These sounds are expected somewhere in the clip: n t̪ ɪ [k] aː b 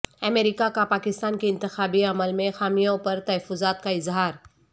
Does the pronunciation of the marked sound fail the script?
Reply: yes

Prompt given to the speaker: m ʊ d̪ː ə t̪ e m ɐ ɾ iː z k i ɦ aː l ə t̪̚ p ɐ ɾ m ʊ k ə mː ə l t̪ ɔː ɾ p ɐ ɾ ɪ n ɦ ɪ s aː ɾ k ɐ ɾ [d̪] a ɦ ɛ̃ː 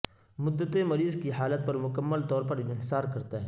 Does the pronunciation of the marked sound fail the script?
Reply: yes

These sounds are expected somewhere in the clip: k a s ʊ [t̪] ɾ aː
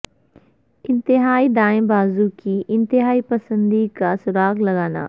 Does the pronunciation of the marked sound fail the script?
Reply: yes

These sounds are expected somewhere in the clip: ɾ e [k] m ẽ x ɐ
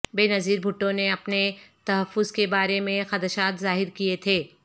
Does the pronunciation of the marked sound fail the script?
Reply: yes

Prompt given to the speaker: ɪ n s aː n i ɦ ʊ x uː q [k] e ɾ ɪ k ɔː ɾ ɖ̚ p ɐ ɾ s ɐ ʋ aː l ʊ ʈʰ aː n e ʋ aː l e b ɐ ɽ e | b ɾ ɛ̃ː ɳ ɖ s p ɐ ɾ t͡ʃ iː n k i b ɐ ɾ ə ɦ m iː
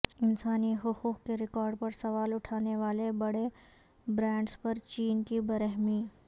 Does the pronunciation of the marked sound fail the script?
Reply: no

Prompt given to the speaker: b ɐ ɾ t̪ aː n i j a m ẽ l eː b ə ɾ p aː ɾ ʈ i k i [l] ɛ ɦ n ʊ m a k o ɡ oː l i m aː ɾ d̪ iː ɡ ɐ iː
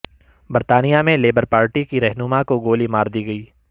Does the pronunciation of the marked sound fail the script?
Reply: yes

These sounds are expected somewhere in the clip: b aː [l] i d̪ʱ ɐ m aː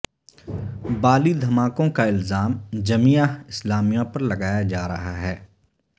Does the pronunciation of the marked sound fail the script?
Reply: no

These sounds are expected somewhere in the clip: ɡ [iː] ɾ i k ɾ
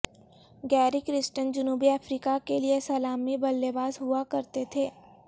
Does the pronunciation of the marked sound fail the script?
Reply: yes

